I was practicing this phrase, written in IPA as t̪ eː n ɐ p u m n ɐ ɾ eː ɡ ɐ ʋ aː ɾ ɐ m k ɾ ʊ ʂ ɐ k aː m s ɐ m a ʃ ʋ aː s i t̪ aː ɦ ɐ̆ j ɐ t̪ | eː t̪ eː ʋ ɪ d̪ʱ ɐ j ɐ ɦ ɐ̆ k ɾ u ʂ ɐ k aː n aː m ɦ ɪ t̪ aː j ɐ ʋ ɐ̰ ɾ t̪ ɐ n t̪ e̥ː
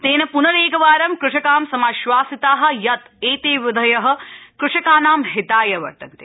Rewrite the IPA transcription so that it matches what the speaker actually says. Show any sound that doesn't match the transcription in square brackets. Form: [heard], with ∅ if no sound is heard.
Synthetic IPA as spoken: t̪ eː n ɐ p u [∅] n ɐ ɾ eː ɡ ɐ ʋ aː ɾ ɐ m k ɾ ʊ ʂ ɐ k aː m s ɐ m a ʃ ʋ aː s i t̪ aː ɦ ɐ̆ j ɐ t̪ | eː t̪ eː ʋ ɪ d̪ʱ ɐ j ɐ ɦ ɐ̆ k ɾ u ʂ ɐ k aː n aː m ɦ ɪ t̪ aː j ɐ ʋ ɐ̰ ɾ t̪ ɐ n t̪ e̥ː

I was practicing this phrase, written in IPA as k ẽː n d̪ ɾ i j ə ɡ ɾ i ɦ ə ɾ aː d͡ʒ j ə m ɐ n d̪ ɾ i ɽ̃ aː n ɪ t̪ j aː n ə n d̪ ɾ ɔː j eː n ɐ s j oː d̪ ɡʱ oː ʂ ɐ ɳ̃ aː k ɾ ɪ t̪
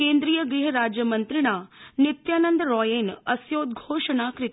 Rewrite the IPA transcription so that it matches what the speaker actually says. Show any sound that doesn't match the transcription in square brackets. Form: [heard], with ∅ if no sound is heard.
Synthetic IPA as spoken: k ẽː n d̪ ɾ i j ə ɡ ɾ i ɦ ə ɾ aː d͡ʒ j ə m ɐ n [t̪] ɾ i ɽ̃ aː n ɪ t̪ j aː n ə n d̪ ɾ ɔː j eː n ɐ s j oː d̪ ɡʱ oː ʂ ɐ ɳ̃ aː k ɾ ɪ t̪

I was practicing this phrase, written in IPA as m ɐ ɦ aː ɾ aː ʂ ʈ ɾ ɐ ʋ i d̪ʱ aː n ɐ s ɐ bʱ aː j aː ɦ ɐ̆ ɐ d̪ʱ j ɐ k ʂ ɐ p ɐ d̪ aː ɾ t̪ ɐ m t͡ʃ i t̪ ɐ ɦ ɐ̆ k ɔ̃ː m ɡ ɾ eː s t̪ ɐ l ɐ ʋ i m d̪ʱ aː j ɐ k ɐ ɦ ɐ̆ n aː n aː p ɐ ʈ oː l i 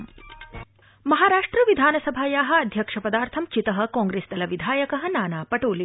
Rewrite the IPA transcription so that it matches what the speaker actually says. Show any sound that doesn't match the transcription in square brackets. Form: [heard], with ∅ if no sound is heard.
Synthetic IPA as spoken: m ɐ ɦ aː ɾ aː ʂ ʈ ɾ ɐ ʋ i d̪ʱ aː n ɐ s ɐ bʱ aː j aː ɦ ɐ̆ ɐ d̪ʱ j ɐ k ʂ ɐ p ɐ d̪ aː ɾ [t̪ʰ] ɐ m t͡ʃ i t̪ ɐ ɦ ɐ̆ k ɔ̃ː [ŋ] ɡ ɾ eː s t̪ ɐ l ɐ ʋ i [∅] d̪ʱ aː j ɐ k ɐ ɦ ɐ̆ n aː n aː p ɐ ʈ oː l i

